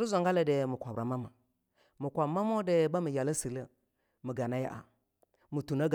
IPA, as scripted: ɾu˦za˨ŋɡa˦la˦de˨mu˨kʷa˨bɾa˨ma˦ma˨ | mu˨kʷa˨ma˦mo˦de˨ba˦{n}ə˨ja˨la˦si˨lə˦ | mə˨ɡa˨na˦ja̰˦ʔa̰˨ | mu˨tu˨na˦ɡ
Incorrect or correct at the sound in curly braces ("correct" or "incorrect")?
incorrect